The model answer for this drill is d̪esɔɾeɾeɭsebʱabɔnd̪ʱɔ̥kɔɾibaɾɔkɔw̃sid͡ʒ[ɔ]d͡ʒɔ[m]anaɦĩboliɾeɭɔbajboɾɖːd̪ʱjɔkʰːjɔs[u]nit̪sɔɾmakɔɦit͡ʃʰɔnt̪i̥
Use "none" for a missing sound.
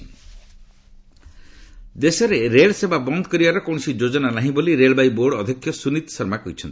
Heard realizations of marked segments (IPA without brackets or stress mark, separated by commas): o, n, u